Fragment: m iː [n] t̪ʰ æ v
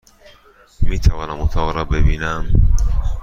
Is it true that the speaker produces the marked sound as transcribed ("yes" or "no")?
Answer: no